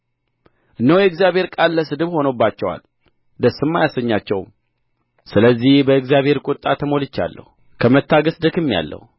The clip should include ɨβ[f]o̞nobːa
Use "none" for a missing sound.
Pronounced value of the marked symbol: h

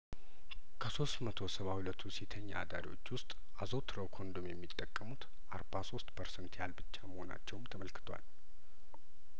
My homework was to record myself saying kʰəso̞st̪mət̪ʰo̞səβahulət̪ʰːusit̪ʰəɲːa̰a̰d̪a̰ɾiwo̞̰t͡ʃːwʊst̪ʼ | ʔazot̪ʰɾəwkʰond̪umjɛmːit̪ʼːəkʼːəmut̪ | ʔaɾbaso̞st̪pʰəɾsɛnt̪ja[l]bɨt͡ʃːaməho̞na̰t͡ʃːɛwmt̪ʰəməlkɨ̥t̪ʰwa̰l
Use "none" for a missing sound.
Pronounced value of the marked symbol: l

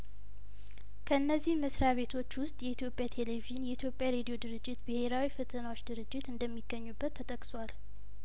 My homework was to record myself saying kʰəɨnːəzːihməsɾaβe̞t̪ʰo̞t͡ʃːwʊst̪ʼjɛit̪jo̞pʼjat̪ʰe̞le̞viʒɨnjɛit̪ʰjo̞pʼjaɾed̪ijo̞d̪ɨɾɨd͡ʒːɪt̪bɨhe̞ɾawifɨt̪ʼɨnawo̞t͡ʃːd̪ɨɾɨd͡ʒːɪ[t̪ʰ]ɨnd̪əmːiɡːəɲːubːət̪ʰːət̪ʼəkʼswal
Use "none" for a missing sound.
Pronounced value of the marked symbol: t̪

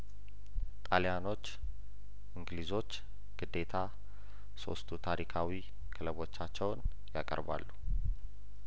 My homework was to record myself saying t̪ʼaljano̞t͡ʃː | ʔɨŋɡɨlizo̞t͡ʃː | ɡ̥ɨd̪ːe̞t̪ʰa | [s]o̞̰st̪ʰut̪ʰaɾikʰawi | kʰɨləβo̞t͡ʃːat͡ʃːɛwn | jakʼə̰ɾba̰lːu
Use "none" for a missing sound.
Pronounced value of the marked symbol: s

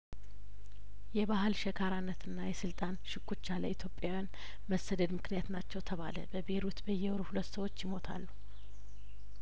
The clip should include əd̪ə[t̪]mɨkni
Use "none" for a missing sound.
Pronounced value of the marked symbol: d̪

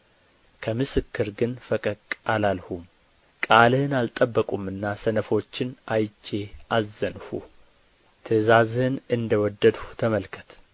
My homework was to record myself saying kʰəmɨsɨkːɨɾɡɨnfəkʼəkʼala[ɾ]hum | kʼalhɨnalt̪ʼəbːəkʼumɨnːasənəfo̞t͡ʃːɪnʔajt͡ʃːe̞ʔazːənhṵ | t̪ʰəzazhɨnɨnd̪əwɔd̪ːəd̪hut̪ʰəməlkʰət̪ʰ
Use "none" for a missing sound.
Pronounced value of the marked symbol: l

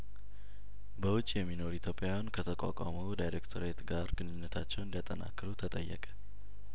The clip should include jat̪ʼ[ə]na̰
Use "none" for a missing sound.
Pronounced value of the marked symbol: ə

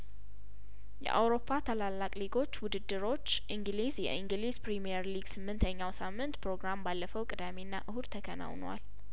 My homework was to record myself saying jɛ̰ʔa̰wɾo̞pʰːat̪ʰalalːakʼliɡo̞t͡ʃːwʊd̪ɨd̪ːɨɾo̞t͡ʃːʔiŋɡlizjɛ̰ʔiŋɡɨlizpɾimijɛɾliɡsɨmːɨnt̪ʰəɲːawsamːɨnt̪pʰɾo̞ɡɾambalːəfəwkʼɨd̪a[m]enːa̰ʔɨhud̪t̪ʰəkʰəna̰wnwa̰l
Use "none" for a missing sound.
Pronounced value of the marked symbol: m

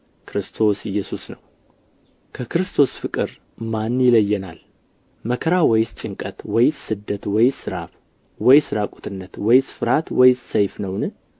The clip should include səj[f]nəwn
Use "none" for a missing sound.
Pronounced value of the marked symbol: f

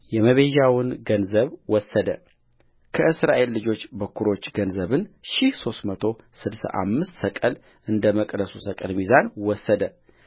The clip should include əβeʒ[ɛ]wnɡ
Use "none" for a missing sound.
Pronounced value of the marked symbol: a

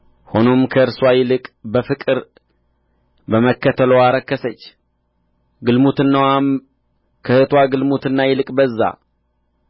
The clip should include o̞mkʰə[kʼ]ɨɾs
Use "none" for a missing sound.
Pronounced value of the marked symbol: none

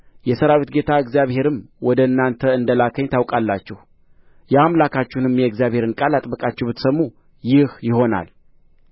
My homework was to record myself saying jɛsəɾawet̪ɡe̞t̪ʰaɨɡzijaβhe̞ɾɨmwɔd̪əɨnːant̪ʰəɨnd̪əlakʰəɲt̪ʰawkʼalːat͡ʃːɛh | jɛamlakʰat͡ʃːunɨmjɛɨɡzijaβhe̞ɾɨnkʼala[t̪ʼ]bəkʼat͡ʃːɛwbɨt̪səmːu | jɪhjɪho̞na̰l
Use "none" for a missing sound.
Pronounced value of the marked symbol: t̪ʼ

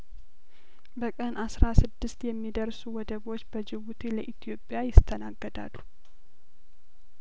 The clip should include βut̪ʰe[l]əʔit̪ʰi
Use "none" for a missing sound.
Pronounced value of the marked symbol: l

